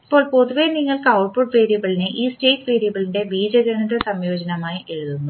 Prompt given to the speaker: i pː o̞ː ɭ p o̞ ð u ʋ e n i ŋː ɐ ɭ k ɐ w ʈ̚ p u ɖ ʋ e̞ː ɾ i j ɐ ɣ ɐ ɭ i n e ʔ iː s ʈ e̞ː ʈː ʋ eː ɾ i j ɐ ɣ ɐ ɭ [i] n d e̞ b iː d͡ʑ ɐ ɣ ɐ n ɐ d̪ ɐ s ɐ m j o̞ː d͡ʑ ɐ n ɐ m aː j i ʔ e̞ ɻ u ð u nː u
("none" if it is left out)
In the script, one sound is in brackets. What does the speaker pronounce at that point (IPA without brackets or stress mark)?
i